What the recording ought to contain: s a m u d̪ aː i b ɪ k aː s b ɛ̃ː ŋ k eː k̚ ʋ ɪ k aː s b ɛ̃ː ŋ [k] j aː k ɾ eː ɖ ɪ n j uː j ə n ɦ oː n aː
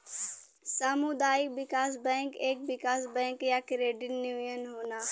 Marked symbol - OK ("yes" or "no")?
yes